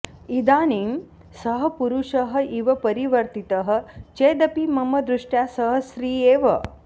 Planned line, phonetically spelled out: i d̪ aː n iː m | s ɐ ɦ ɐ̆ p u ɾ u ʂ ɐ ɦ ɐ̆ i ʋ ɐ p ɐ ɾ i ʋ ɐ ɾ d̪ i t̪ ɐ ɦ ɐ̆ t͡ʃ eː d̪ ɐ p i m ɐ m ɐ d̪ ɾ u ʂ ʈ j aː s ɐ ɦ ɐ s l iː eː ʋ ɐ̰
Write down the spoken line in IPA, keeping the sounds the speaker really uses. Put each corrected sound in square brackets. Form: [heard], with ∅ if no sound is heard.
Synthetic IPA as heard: i d̪ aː n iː m | s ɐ ɦ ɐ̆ p u ɾ u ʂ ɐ ɦ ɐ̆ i ʋ ɐ p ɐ ɾ i ʋ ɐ ɾ [t̪] i t̪ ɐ ɦ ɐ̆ t͡ʃ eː d̪ ɐ p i m ɐ m ɐ d̪ ɾ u ʂ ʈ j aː s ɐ ɦ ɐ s [ɾ] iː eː ʋ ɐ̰